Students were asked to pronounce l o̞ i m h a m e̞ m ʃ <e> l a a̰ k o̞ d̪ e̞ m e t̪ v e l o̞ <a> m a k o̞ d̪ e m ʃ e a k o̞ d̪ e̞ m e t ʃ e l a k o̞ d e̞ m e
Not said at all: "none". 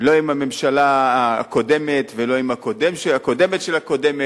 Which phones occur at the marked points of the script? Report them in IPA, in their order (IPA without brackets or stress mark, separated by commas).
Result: a, i